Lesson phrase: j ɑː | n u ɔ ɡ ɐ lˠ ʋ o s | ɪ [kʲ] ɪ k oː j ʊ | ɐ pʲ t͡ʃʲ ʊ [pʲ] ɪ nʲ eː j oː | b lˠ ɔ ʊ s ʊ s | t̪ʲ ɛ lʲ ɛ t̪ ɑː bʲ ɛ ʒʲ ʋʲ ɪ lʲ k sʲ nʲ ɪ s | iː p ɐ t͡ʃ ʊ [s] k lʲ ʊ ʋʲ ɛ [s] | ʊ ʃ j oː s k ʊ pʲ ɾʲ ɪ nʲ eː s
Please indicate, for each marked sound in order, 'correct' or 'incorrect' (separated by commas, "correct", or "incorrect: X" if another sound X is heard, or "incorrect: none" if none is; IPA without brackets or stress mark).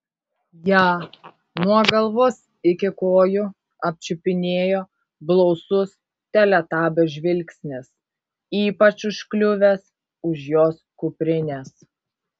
correct, correct, incorrect: ʃ, correct